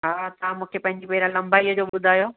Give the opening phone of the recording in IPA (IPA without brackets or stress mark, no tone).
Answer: ɦ